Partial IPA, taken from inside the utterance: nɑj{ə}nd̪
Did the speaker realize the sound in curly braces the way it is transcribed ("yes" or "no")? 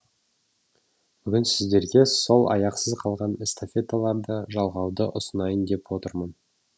yes